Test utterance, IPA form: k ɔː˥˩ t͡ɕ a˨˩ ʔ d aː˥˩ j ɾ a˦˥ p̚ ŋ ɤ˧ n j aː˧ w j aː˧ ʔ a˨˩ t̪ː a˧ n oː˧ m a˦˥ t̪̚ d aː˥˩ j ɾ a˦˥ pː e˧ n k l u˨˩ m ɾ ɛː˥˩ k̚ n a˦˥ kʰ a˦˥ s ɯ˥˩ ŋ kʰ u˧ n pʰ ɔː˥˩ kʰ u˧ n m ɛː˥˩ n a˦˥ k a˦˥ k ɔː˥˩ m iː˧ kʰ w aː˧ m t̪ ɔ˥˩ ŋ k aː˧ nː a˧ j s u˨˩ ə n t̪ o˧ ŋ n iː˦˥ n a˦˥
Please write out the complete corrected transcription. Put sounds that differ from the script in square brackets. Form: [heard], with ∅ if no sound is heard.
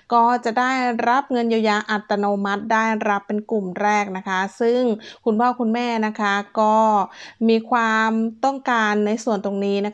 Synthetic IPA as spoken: k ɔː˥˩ t͡ɕ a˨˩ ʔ d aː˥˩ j ɾ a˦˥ p̚ ŋ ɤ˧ n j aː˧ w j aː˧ ʔ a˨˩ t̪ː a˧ n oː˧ m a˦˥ t̪̚ d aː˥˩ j ɾ a˦˥ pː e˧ n k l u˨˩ m ɾ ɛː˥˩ k̚ n a˦˥ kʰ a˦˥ s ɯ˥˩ ŋ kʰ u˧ n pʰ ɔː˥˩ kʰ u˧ n m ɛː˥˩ n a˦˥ [kʰ] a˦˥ k ɔː˥˩ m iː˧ kʰ w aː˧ m t̪ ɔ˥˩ ŋ k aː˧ nː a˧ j s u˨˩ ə n t̪ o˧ ŋ n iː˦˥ n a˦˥